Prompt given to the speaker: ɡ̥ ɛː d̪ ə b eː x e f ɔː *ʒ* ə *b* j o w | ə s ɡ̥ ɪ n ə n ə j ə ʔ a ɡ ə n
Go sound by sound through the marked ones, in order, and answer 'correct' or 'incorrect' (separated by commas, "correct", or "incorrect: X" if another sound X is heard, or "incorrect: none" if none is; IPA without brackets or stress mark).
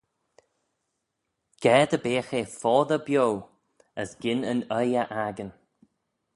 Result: incorrect: ð, correct